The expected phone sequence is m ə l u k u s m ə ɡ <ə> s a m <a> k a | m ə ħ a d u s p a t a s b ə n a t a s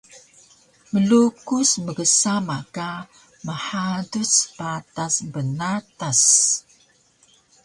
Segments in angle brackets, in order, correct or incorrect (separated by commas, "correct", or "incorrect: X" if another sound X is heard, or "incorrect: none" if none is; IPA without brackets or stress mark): correct, correct